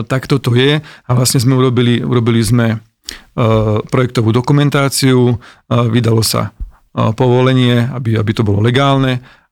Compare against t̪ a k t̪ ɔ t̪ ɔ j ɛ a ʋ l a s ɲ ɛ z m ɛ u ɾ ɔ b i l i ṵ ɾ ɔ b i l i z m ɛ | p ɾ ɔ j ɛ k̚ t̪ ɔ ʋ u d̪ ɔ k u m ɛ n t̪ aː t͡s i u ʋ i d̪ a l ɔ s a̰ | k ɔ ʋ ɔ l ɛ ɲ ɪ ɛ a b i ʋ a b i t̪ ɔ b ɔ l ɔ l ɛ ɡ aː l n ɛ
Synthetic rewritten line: t̪ a k t̪ ɔ t̪ ɔ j ɛ a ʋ l a s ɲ ɛ z m ɛ u ɾ ɔ b i l i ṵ ɾ ɔ b i l i z m ɛ | p ɾ ɔ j ɛ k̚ t̪ ɔ ʋ uː d̪ ɔ k u m ɛ n t̪ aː t͡s i u ʋ i d̪ a l ɔ s a̰ | p ɔ ʋ ɔ l ɛ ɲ ɪ ɛ a b i a b i t̪ ɔ b ɔ l ɔ l ɛ ɡ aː l n ɛ